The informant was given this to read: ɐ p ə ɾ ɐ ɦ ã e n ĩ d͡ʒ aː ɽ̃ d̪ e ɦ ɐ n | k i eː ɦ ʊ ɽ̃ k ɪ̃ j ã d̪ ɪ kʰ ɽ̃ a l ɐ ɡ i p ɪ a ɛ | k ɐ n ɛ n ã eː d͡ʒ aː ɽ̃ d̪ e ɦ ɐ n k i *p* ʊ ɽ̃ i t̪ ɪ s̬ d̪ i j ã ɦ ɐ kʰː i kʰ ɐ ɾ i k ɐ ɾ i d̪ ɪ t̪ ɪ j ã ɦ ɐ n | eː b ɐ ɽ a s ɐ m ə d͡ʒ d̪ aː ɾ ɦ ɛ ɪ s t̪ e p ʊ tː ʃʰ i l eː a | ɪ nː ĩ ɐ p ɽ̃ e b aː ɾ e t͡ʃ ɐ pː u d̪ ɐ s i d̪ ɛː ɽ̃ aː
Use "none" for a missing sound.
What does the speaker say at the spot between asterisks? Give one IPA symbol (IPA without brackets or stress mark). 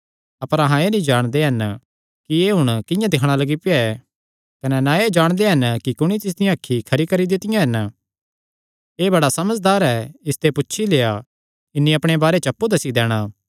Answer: k